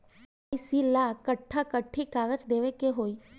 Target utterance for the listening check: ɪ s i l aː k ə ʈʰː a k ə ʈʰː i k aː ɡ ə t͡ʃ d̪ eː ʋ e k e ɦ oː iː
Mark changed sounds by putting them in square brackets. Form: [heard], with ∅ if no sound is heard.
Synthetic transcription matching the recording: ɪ s i l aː k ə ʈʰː a k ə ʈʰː i k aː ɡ ə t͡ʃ d̪ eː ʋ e k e ɦ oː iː